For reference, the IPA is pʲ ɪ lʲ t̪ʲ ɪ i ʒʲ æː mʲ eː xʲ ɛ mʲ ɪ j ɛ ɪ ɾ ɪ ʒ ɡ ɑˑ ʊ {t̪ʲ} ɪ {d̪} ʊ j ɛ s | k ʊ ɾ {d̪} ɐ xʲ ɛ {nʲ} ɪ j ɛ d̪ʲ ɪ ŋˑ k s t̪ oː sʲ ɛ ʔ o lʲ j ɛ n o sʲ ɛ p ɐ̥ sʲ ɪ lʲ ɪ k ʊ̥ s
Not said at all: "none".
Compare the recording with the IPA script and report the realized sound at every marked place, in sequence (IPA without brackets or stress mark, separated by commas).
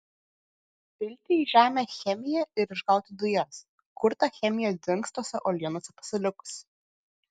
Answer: t̪ʲ, d̪, t̪, mʲ